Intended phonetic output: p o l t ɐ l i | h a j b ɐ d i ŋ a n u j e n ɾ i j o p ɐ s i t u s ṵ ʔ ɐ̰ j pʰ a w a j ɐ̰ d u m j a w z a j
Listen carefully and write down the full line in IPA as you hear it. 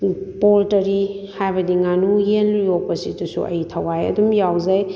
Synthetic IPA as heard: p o l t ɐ ɾ i | h a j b ɐ d i ŋ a n u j e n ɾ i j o p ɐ s i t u s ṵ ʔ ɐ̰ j tʰ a w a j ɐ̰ d u m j a w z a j